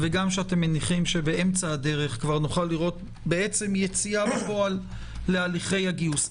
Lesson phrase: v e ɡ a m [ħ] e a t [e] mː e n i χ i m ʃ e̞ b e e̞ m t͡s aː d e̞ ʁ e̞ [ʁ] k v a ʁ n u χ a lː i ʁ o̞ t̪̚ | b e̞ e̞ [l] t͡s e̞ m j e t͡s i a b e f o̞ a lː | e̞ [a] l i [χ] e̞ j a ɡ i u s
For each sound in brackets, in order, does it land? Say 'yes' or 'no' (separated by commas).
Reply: no, yes, no, no, yes, yes